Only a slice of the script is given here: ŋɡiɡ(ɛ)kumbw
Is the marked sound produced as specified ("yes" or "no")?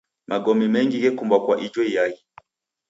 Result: yes